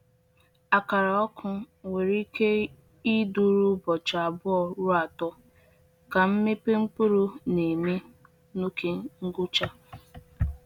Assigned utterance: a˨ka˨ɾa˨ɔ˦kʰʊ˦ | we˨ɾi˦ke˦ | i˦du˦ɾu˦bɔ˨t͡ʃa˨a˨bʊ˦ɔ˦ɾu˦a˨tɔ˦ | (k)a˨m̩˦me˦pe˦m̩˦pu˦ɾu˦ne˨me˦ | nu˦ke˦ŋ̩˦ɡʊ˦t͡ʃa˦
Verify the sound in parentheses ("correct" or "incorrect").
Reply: correct